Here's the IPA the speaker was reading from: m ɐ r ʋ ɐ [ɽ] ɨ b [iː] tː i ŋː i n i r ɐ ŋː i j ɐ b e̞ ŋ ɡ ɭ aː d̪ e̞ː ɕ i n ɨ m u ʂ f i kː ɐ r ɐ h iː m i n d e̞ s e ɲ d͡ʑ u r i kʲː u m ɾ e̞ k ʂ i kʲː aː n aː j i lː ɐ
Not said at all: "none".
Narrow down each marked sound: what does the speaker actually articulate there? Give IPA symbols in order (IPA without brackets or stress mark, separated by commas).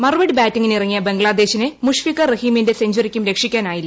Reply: ɽ, aː